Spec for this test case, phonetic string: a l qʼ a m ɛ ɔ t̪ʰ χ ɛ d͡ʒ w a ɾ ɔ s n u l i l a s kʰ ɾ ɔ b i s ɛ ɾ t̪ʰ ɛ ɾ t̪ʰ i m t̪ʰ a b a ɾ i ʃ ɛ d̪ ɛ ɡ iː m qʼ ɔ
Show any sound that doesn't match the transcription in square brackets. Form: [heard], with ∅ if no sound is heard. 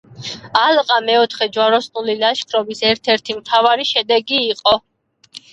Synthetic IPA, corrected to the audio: a l qʼ a m ɛ ɔ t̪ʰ χ ɛ d͡ʒ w a ɾ ɔ s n u l i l a [ʃ] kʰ ɾ ɔ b i s ɛ ɾ t̪ʰ ɛ ɾ t̪ʰ i m t̪ʰ a [v] a ɾ i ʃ ɛ d̪ ɛ ɡ iː [∅] qʼ ɔ